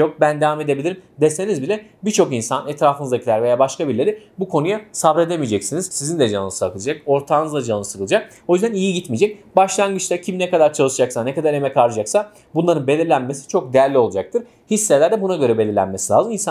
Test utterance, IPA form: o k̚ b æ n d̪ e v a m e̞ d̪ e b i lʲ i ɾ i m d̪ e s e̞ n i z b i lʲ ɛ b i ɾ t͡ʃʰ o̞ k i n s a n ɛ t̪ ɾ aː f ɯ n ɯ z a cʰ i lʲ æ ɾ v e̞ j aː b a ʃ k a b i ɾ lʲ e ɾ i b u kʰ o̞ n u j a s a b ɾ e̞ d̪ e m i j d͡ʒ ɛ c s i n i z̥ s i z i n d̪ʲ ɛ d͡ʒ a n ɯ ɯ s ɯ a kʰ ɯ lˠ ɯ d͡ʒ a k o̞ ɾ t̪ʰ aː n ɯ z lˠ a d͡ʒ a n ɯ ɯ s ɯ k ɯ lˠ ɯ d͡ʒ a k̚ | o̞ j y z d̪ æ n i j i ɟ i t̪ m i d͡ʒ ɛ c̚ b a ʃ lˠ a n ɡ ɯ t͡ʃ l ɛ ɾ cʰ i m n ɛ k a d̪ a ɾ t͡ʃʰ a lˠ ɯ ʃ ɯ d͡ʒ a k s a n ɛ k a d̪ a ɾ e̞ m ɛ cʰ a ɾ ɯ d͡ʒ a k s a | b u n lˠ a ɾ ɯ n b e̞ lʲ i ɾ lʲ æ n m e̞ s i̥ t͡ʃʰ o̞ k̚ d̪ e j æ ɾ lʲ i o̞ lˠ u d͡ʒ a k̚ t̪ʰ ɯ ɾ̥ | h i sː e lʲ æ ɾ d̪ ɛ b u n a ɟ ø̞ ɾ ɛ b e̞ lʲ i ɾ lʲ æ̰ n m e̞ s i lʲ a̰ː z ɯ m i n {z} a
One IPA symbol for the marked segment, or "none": s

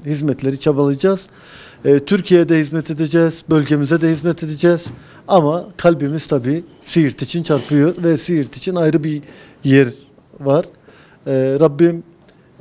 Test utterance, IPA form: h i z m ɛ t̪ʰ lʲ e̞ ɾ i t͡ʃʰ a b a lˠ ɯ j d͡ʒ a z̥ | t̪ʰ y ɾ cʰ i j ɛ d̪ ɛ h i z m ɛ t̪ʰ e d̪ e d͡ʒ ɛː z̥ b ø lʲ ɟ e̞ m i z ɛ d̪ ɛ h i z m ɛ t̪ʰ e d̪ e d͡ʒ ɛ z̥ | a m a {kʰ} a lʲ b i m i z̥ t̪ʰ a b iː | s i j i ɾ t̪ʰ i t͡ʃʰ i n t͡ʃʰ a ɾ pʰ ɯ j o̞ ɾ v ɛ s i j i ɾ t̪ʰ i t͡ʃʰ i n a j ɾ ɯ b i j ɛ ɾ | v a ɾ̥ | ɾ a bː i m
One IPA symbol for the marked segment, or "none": kʰ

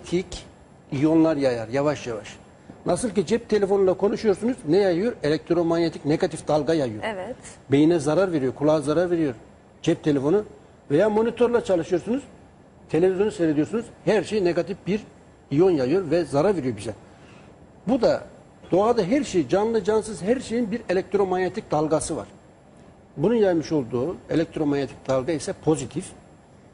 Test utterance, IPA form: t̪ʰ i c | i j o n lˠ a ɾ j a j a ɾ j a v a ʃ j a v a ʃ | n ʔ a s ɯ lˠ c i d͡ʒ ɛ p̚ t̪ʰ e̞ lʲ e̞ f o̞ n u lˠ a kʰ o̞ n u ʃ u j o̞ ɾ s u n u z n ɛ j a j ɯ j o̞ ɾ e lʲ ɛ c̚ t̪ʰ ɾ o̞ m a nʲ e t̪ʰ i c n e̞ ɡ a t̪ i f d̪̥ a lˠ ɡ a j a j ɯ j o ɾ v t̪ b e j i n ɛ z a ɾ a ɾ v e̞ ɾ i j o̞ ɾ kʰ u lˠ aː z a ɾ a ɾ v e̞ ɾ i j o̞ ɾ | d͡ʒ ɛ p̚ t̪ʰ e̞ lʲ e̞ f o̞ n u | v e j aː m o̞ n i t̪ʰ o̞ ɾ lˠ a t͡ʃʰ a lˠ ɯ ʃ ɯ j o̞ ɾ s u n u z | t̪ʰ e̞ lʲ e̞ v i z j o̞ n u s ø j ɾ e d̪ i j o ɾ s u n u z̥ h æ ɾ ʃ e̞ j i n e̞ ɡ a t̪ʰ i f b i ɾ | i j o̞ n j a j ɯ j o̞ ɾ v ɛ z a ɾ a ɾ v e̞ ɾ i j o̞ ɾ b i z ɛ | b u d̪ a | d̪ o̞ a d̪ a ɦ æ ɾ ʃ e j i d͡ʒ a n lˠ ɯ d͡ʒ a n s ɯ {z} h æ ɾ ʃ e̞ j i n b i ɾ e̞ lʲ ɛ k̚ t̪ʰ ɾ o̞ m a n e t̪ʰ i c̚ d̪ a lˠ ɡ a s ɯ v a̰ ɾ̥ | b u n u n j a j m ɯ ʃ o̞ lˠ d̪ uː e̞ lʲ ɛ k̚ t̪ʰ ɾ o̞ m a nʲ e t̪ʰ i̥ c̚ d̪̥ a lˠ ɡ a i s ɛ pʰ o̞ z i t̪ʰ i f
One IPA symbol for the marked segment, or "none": z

